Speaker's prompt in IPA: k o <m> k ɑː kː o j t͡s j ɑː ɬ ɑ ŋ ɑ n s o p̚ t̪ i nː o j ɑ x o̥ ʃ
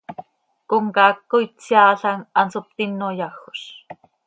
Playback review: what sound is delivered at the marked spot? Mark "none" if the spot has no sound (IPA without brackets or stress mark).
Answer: ŋ